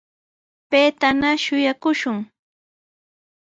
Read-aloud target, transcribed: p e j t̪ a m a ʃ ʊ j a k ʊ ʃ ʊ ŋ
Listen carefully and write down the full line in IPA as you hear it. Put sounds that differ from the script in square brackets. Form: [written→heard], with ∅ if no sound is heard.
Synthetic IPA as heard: p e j t̪ a [m→n] a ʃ ʊ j a k ʊ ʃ ʊ ŋ